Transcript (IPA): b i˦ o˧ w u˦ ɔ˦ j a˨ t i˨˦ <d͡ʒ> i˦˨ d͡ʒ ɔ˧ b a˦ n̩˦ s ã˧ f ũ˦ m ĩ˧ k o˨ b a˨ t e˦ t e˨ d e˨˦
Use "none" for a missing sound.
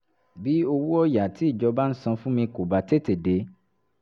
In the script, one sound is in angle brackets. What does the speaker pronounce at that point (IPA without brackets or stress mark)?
none